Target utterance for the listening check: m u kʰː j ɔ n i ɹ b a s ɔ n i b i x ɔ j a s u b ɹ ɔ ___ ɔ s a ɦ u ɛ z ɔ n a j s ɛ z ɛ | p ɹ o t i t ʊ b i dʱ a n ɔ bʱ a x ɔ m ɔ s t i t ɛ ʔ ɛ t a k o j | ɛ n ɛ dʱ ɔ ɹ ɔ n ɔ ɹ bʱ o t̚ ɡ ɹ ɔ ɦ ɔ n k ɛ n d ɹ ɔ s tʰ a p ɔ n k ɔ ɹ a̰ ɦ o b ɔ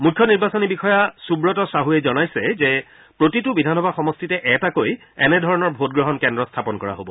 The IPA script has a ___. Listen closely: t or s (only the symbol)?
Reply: t